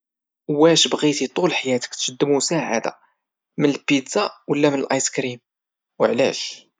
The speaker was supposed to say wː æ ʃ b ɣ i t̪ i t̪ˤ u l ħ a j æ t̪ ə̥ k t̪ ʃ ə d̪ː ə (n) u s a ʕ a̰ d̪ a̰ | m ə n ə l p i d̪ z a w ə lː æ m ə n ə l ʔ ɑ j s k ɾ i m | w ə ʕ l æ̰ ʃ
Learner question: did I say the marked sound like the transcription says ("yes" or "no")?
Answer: no